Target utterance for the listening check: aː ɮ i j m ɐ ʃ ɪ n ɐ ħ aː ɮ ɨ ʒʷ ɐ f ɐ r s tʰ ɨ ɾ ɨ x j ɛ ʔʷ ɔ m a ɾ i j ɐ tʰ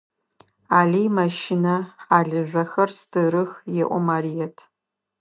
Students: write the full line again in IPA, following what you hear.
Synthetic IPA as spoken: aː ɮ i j m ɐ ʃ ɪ n ɐ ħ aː ɮ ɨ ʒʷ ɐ x ɐ r s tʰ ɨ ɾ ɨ x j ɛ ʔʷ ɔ m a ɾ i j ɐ tʰ